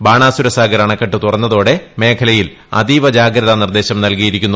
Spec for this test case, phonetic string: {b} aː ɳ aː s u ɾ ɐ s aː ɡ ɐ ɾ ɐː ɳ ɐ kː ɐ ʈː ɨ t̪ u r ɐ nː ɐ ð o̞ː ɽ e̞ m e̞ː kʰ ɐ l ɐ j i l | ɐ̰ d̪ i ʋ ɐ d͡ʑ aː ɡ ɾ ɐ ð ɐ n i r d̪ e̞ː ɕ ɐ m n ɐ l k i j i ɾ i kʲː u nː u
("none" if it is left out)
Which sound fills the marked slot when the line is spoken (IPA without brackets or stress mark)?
b